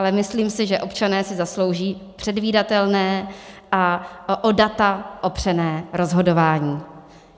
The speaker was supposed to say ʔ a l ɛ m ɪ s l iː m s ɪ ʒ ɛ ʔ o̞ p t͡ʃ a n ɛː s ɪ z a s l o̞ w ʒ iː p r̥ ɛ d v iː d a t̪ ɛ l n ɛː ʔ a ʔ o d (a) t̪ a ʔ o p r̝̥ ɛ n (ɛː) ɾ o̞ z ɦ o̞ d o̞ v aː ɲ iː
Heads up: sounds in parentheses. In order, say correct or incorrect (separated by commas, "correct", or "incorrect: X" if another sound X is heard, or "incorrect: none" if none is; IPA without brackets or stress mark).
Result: correct, correct